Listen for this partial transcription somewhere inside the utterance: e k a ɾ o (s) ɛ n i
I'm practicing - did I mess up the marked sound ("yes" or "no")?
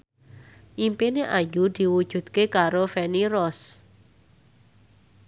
yes